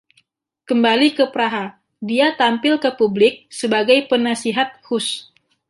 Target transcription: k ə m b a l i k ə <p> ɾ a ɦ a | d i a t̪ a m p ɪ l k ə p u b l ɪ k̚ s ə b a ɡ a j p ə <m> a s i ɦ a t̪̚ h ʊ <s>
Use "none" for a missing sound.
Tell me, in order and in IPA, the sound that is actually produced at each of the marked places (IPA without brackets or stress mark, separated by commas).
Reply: p, n, s